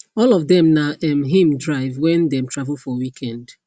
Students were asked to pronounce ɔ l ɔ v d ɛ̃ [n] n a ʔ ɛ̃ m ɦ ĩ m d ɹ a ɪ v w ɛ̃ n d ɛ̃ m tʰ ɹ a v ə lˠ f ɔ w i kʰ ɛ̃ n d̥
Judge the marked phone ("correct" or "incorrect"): incorrect